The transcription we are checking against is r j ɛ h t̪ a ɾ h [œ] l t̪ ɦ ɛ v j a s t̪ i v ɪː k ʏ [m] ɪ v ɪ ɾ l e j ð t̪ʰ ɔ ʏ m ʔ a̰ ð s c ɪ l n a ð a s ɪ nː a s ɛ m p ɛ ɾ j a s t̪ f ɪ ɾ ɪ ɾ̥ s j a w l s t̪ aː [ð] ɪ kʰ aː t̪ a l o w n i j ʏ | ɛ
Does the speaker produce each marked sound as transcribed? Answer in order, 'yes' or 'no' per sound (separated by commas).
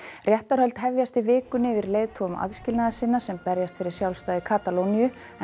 yes, no, yes